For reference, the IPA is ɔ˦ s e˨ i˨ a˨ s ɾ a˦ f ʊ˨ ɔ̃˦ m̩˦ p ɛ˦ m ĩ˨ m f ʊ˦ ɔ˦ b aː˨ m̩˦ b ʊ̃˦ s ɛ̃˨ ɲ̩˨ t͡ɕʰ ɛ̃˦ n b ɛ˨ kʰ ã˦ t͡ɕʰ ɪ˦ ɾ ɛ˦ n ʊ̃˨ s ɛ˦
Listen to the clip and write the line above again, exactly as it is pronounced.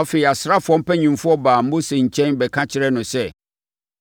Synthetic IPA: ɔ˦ f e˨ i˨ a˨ s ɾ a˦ f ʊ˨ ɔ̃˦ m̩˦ p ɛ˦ ɲ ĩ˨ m f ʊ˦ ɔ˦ b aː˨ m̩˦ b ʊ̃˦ s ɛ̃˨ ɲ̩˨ t͡ɕʰ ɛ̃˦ n b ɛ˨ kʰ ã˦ t͡ɕʰ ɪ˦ ɾ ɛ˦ n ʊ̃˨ s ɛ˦